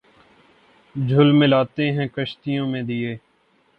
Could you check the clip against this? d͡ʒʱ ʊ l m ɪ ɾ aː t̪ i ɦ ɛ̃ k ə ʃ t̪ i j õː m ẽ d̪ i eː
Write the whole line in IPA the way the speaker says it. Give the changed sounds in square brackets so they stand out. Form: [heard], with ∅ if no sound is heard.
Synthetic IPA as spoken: d͡ʒʱ ʊ l m ɪ [l] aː t̪ [e] ɦ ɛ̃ k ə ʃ t̪ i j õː m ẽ d̪ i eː

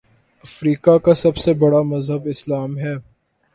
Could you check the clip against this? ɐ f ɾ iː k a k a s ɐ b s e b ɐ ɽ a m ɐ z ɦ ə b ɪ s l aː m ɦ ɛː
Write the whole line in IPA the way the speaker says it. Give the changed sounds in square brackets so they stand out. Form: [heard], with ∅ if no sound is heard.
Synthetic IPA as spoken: ɐ f ɾ iː k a k a s ɐ b s e b ɐ ɽ a m ɐ z ɦ ə b ɪ s l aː m ɦ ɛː

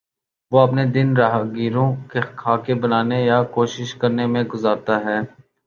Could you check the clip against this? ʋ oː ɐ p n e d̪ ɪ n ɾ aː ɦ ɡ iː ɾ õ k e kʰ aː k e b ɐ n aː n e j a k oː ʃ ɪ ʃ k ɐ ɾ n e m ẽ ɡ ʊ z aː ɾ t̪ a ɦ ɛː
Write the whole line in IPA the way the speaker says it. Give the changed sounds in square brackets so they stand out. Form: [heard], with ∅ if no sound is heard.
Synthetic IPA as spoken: ʋ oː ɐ p n e d̪ ɪ n ɾ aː ɦ ɡ iː ɾ õ k e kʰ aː k e b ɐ n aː n e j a k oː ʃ ɪ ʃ k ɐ ɾ n e m ẽ ɡ ʊ z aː ɾ t̪ a ɦ ɛː

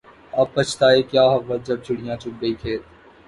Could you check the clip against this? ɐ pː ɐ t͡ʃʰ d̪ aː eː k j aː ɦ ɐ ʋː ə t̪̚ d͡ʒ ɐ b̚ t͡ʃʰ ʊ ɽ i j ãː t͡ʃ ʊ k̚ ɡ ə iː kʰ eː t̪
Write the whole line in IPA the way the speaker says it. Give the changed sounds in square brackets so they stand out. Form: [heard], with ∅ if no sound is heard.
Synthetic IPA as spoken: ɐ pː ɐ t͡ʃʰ [t̪] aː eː k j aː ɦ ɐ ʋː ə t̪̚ d͡ʒ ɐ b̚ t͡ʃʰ ʊ ɽ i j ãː t͡ʃ ʊ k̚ ɡ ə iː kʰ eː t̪

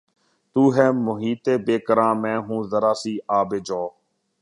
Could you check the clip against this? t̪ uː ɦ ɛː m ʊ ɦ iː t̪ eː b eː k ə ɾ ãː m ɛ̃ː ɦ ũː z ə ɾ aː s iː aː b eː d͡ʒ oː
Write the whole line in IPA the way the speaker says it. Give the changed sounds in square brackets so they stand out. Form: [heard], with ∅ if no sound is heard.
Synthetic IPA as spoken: t̪ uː ɦ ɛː m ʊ ɦ iː t̪ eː b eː k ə ɾ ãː m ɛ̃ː ɦ ũː z ə ɾ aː s iː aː b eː d͡ʒ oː

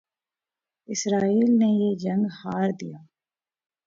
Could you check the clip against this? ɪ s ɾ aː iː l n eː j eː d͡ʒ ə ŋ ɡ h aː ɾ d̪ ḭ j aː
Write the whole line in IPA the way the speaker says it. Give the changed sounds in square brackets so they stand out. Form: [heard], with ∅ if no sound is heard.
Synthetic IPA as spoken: ɪ s ɾ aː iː l n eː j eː d͡ʒ ə ŋ ɡ h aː ɾ d̪ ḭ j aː

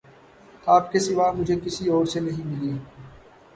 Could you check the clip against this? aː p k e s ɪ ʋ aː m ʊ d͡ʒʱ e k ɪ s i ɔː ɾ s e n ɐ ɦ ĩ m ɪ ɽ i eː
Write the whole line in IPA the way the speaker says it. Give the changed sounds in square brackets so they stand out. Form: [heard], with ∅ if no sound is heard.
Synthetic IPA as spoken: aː p k e s ɪ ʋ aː m ʊ d͡ʒʱ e k ɪ s i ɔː ɾ s e n ɐ ɦ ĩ m ɪ [l] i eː

